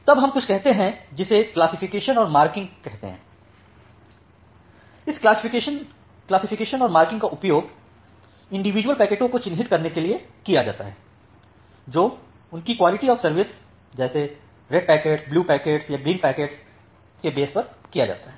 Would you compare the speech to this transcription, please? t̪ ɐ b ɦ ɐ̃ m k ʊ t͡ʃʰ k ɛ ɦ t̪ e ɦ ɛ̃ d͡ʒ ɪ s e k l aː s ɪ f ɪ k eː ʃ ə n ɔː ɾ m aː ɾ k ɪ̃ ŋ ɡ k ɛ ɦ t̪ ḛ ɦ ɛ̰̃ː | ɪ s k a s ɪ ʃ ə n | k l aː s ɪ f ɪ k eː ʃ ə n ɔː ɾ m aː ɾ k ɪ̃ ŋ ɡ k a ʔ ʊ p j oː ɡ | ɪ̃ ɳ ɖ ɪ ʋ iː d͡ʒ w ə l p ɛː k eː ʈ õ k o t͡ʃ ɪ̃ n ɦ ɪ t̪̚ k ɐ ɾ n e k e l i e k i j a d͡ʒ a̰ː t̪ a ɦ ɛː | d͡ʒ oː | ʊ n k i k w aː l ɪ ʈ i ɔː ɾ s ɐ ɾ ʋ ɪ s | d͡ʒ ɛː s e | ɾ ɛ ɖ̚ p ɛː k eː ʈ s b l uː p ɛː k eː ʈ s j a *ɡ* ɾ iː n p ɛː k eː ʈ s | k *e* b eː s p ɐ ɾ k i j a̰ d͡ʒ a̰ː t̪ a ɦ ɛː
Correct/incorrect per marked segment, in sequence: correct, correct

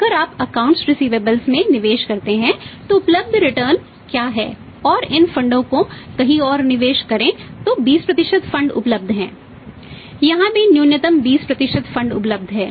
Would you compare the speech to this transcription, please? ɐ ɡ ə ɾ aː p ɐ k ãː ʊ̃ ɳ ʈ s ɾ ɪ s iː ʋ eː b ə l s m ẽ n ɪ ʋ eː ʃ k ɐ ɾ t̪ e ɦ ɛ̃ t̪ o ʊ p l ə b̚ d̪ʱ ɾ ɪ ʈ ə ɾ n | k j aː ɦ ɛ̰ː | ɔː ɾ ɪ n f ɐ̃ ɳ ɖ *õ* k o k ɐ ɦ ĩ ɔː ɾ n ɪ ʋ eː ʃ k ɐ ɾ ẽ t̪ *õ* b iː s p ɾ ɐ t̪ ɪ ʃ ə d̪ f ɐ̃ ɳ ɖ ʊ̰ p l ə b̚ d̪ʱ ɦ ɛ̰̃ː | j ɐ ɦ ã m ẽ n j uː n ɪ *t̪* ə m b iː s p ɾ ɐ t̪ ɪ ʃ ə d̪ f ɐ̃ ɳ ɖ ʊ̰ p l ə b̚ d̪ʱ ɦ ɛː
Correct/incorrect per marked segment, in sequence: correct, incorrect: o, correct

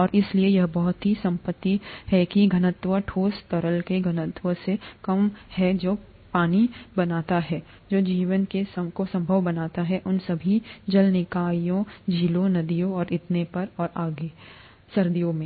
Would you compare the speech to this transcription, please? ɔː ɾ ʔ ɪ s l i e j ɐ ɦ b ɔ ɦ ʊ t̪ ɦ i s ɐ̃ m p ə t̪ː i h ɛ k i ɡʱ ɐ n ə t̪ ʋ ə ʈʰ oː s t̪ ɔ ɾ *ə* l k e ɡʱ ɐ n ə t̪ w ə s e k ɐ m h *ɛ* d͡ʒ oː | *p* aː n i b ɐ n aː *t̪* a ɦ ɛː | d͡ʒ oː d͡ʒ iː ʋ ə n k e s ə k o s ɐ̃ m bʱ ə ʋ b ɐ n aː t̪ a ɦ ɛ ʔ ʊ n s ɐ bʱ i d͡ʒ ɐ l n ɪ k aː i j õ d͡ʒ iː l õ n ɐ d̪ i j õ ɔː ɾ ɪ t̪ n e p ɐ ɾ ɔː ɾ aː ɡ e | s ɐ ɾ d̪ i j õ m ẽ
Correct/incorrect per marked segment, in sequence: correct, correct, correct, correct

